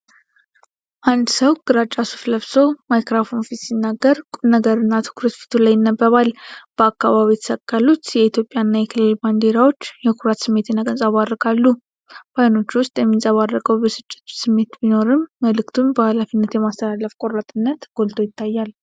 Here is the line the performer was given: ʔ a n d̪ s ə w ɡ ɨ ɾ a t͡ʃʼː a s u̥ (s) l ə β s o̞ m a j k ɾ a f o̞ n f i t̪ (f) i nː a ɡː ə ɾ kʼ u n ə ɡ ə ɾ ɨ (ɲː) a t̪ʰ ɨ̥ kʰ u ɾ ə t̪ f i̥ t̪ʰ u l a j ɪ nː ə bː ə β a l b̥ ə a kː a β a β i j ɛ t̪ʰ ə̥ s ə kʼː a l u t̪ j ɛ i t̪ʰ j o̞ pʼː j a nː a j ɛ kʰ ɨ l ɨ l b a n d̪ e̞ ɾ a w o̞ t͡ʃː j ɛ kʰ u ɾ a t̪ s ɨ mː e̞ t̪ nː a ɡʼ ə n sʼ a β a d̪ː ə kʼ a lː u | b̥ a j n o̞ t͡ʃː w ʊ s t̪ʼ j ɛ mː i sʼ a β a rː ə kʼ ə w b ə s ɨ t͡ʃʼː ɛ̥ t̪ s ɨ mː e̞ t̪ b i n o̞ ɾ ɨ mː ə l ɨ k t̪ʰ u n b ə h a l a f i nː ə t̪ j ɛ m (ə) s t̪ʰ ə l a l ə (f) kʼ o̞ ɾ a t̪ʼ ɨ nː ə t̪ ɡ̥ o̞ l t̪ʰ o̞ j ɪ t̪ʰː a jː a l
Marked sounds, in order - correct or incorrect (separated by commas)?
incorrect, incorrect, incorrect, incorrect, correct